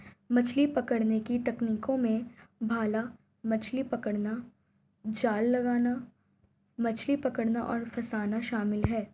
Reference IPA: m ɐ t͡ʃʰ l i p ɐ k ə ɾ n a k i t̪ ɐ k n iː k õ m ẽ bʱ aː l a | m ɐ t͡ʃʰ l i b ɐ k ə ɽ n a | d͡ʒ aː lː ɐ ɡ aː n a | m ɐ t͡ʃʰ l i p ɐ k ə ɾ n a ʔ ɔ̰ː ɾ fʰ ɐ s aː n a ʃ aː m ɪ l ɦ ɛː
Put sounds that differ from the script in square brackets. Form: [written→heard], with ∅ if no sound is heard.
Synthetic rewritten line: m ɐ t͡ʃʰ l i p ɐ k ə [ɾ→ɽ] n [a→e] k i t̪ ɐ k n iː k õ m ẽ bʱ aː l a | m ɐ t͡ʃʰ l i [b→p] ɐ k ə ɽ n a | d͡ʒ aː lː ɐ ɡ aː n a | m ɐ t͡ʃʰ l i p ɐ k ə [ɾ→ɽ] n a ʔ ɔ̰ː ɾ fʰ ɐ s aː n a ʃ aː m ɪ l ɦ ɛː